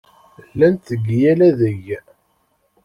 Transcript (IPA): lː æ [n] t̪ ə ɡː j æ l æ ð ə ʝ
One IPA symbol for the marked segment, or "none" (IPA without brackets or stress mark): n